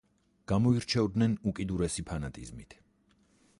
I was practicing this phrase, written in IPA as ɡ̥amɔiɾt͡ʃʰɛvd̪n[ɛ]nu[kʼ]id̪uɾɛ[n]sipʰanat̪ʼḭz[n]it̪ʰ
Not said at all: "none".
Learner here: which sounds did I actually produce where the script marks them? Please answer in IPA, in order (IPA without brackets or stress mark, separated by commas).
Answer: ɛ, kʼ, none, m